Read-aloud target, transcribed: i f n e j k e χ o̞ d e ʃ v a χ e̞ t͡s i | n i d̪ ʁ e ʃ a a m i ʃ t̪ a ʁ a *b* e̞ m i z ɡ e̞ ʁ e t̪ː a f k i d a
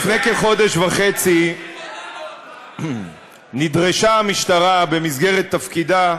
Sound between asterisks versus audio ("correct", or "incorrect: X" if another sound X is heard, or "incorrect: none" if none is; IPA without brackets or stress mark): correct